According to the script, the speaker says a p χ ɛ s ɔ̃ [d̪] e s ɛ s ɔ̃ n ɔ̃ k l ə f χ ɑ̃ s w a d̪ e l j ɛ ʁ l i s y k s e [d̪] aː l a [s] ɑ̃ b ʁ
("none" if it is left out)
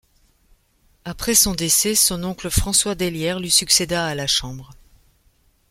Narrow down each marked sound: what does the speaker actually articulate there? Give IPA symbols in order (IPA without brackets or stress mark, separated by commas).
d̪, d̪, ʃ